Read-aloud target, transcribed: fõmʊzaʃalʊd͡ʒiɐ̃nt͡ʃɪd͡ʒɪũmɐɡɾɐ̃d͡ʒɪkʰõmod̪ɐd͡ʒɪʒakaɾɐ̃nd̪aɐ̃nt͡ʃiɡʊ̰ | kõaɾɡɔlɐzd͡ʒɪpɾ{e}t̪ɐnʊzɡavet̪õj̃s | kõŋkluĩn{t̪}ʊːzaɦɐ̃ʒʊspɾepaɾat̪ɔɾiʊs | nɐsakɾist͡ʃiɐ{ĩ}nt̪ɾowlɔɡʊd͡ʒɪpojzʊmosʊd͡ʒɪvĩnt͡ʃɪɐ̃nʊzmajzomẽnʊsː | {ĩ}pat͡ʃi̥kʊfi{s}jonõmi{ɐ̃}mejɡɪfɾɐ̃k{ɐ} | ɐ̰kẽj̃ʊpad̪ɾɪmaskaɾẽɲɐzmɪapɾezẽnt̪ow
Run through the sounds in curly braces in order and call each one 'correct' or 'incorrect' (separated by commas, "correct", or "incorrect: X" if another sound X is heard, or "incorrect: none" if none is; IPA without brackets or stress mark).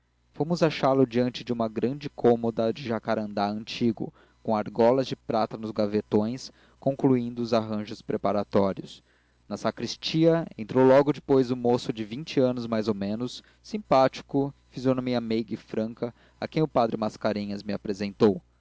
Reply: incorrect: a, incorrect: d̪, incorrect: ẽ, correct, incorrect: z, incorrect: ɐ, correct